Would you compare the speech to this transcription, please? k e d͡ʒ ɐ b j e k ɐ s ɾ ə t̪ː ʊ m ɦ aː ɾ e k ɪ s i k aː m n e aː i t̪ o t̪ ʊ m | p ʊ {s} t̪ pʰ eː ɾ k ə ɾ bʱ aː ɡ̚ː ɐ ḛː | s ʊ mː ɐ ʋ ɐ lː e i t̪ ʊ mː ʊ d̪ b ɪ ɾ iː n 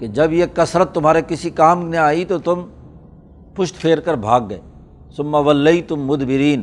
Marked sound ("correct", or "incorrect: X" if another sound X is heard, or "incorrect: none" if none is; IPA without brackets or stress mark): incorrect: ʃ